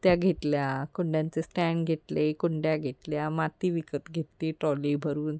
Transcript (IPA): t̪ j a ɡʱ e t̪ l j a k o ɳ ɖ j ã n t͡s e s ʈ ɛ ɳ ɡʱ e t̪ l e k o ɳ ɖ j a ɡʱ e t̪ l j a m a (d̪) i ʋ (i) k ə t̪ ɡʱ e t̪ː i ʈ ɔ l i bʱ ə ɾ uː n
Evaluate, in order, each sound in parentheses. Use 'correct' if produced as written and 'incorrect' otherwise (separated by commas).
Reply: incorrect, correct